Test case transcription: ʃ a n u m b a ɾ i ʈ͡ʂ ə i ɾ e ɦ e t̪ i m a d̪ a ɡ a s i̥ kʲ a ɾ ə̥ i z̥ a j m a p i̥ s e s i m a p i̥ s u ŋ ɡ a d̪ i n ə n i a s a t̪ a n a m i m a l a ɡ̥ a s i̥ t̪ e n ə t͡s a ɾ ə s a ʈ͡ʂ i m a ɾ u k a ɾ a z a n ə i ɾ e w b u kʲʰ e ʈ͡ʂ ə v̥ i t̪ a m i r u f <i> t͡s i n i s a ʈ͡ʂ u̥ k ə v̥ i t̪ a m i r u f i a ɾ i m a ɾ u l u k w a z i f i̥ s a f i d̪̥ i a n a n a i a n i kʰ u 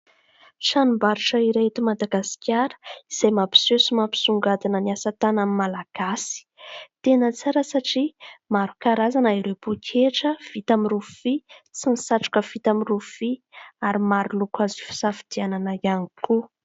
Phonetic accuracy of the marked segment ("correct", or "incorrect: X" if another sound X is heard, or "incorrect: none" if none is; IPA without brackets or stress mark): correct